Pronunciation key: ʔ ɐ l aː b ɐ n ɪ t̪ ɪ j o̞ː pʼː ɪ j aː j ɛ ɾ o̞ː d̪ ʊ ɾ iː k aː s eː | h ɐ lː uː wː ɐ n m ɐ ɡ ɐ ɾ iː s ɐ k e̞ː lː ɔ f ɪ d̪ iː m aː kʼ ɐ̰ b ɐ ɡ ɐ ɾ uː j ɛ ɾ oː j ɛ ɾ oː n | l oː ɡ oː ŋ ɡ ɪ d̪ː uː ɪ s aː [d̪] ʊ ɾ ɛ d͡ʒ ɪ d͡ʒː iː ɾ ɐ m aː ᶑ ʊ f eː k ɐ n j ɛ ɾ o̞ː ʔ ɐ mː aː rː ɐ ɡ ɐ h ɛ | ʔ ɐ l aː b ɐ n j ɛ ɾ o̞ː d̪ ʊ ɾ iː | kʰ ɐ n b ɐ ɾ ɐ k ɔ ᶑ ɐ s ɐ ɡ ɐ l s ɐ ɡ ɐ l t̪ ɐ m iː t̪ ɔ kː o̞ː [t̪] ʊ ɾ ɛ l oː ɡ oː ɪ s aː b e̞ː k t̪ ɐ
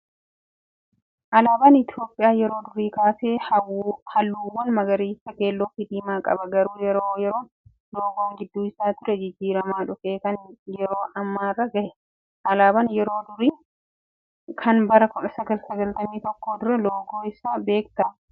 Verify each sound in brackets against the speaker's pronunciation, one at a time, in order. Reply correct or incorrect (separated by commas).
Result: incorrect, incorrect